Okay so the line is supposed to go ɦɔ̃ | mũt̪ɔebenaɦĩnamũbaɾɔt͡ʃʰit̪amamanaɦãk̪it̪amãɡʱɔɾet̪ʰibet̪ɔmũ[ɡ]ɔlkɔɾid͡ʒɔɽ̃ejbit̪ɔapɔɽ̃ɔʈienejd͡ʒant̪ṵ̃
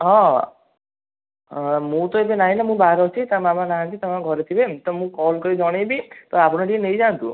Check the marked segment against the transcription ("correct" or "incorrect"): incorrect